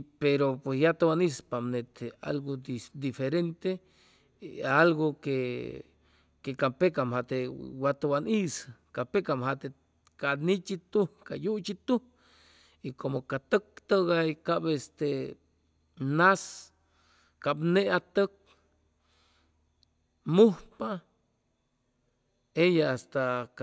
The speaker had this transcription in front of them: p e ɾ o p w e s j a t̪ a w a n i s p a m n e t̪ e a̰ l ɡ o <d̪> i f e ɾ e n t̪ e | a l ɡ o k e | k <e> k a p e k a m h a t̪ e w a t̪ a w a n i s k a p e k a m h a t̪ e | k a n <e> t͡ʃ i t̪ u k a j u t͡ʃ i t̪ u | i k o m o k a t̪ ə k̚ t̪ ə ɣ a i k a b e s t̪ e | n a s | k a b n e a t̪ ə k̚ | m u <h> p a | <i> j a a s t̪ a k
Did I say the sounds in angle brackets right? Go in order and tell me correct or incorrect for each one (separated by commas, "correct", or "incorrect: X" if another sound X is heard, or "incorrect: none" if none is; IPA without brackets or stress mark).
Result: correct, correct, incorrect: i, correct, incorrect: e